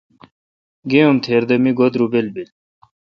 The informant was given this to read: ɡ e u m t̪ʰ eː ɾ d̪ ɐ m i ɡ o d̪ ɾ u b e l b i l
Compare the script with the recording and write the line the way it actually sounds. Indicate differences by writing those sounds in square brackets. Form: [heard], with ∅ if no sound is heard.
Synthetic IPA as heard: ɡ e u m t̪ʰ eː ɾ d̪ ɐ m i ɡ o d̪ ɾ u b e l b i l

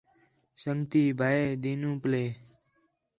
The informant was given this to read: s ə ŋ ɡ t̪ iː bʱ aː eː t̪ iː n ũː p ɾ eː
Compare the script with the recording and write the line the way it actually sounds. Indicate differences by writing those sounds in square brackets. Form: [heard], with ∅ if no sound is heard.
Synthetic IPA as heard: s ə ŋ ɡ t̪ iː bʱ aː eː [d̪] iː n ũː p [l] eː

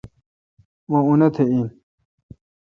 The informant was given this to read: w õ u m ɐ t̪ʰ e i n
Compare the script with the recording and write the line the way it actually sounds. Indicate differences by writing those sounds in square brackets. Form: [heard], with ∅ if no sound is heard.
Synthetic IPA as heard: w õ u [n] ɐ t̪ʰ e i n

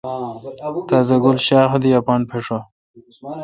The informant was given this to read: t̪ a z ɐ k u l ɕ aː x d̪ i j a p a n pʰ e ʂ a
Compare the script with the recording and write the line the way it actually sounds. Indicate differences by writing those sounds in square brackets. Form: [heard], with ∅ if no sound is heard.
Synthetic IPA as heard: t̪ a z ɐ [ɡ] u l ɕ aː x d̪ i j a p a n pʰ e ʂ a

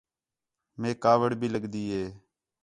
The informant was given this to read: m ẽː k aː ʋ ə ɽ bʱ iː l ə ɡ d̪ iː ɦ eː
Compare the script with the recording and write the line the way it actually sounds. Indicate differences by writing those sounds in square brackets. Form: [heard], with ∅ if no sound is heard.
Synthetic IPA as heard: m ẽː k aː ʋ ə ɽ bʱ iː l ə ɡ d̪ iː ɦ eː

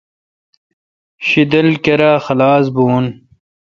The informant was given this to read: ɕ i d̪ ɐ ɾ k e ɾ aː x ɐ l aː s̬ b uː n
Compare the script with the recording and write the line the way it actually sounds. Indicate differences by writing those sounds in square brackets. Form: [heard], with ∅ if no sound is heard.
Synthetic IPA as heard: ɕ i d̪ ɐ [l] k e ɾ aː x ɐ l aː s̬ b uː n

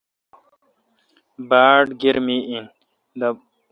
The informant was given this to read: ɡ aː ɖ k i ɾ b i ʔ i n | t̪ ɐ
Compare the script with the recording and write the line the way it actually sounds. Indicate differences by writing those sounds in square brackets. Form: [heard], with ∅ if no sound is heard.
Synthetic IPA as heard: [b] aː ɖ [ɡ] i ɾ [m] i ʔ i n | [d̪] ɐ

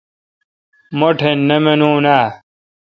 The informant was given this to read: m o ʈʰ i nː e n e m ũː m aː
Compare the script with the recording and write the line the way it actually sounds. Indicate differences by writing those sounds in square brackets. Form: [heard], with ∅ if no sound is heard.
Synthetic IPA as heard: m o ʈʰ [e] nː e [m] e [n] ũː [n] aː

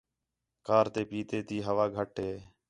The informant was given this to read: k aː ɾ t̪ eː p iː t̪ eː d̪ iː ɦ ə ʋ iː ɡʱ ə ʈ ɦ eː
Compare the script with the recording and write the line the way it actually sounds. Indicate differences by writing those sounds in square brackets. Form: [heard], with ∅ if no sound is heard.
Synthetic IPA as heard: k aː ɾ t̪ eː p iː t̪ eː [t̪] iː ɦ ə ʋ [aː] ɡʱ ə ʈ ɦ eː

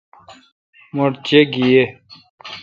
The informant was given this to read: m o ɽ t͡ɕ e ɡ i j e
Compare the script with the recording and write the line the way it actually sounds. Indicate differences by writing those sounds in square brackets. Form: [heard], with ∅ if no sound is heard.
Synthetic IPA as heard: m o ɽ t͡ɕ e ɡ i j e

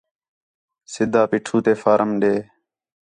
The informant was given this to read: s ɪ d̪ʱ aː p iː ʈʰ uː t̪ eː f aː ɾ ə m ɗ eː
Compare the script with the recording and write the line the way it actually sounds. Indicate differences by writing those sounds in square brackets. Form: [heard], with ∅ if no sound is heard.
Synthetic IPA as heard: s ɪ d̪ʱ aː p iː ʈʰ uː t̪ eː f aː ɾ ə m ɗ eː

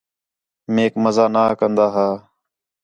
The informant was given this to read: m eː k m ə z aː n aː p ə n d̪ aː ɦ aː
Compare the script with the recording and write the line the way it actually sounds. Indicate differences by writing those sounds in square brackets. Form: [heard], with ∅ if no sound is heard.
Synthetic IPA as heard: m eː k m ə z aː n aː [k] ə n d̪ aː ɦ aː

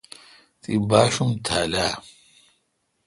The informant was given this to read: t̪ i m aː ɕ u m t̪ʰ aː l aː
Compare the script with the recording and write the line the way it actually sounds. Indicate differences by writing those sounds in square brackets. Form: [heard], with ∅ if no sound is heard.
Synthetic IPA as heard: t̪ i [b] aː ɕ u m t̪ʰ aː l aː

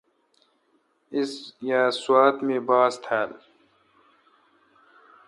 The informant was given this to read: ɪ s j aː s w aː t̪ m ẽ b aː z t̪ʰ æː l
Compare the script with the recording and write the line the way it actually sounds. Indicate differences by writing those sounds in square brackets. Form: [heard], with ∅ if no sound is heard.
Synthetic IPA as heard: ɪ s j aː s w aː t̪ m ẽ b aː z t̪ʰ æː l

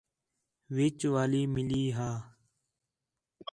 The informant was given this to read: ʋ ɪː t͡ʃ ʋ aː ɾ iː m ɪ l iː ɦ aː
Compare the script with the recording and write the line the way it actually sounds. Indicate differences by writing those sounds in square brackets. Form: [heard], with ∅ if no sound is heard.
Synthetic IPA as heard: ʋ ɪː t͡ʃ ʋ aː [l] iː m ɪ l iː ɦ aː

